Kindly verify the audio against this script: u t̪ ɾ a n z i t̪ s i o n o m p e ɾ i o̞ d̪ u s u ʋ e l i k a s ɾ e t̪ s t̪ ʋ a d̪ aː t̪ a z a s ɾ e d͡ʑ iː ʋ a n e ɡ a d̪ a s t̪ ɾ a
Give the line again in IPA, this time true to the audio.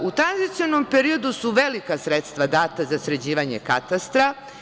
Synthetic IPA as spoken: u t̪ ɾ a n z i t̪ s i o n o m p e ɾ i o̞ d̪ u s u ʋ e l i k a s ɾ e t̪ s t̪ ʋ a d̪ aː t̪ a z a s ɾ e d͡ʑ iː ʋ a ɲ e k a t̪ a s t̪ ɾ a